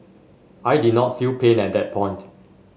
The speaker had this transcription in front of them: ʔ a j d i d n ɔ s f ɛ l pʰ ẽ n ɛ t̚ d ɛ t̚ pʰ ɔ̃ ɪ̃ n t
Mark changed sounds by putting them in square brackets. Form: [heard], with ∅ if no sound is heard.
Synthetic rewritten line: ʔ a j d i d n ɔ [t] f [i] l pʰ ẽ n ɛ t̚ d ɛ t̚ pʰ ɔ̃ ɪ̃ n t